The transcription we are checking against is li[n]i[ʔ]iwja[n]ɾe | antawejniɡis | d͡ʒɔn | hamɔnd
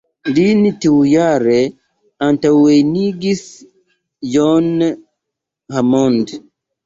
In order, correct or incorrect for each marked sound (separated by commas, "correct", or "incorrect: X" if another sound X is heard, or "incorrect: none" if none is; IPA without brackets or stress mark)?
correct, incorrect: t, incorrect: none